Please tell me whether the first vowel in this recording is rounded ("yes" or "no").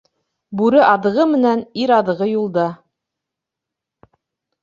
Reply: yes